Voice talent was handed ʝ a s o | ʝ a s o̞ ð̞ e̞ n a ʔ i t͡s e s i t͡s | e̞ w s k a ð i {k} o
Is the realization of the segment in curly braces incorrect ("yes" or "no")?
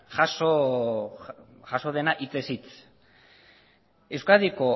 no